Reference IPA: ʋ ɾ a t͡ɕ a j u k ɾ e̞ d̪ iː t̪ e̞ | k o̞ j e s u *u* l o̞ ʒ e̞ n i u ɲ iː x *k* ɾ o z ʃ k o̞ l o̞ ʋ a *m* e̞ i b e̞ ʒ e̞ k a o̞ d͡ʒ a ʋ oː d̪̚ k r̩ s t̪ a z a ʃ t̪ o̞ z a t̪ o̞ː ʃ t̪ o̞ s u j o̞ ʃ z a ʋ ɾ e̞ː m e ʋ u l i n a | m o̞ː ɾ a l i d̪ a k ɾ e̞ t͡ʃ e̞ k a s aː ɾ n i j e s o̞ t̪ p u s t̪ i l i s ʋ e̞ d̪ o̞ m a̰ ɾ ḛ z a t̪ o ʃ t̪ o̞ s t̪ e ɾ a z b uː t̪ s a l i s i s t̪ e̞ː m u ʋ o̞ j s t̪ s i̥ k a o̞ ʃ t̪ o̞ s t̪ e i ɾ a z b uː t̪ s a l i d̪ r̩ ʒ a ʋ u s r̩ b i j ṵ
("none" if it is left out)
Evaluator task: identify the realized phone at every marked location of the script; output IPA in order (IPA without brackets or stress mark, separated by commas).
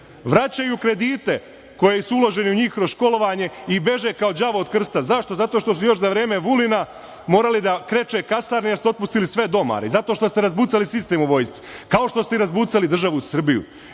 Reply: u, k, ɲ